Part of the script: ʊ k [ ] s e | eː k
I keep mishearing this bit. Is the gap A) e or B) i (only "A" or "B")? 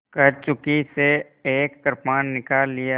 B